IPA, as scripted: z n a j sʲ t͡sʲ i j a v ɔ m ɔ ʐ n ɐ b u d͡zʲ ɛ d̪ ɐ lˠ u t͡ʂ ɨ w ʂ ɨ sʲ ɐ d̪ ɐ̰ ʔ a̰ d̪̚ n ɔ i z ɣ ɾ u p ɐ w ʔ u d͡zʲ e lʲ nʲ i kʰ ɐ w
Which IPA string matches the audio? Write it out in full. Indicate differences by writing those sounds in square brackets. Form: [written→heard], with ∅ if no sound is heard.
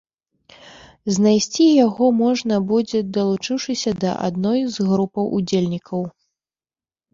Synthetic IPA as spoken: z n a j sʲ t͡sʲ i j a [v→ɣ] ɔ m ɔ ʐ n ɐ b u d͡zʲ ɛ d̪ ɐ lˠ u t͡ʂ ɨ w ʂ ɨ sʲ ɐ d̪ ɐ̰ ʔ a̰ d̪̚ n ɔ [i→j] z ɣ ɾ u p ɐ w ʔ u d͡zʲ e lʲ nʲ i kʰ ɐ w